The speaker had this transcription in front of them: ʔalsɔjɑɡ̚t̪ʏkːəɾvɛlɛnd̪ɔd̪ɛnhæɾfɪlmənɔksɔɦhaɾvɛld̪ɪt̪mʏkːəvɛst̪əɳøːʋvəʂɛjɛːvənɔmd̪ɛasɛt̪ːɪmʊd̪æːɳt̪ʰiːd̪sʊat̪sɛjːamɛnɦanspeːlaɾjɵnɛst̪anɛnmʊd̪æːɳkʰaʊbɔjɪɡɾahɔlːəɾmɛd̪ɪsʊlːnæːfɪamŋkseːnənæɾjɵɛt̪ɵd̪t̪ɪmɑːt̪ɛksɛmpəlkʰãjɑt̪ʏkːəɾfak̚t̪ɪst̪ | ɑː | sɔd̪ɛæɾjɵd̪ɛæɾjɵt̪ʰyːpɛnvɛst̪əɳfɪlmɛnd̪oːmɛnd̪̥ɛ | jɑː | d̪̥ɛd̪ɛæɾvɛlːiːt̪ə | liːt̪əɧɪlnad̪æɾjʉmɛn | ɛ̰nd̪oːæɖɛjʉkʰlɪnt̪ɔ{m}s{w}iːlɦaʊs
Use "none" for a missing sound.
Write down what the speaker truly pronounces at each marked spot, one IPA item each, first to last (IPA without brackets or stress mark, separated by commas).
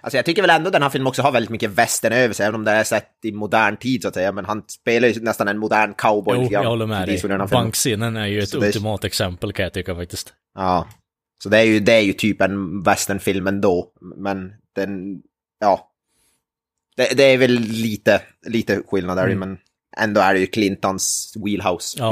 n, w